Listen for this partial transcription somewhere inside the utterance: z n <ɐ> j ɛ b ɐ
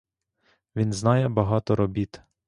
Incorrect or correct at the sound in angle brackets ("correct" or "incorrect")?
incorrect